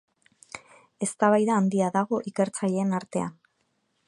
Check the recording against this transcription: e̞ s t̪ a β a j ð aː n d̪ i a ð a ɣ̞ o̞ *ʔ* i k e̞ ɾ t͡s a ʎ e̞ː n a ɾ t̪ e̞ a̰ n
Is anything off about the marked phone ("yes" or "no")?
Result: no